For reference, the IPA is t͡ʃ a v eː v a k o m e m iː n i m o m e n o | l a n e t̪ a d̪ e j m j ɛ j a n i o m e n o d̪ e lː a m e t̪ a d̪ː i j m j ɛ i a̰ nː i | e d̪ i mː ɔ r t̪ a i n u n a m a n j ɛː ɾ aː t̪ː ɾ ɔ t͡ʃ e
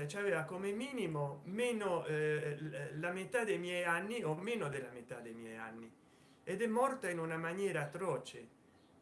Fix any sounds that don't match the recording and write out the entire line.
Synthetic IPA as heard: t͡ʃ a v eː v a k o m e m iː n i m o m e n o | l a m e t̪ a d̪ e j m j ɛ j a nː i o m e n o d̪ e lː a m e t̪ a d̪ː e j m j ɛ j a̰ nː i | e d̪ ɛ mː ɔ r t̪ a i n u n a m a n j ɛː ɾ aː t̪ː ɾ ɔ t͡ʃ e